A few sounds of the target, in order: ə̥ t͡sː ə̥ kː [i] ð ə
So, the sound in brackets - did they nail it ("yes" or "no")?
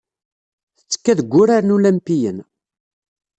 no